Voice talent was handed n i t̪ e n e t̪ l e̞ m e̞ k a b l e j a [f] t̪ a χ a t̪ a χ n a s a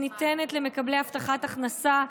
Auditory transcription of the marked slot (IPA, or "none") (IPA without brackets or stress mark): f